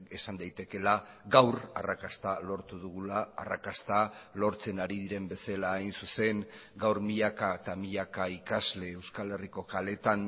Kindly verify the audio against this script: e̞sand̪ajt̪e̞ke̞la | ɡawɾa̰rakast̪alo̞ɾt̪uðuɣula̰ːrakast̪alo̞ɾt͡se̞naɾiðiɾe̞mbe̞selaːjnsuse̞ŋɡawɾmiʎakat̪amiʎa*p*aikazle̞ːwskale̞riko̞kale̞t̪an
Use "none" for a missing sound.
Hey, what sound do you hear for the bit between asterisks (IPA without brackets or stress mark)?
k